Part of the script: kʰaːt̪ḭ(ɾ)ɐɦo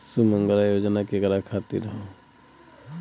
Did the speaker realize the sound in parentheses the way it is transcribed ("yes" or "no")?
yes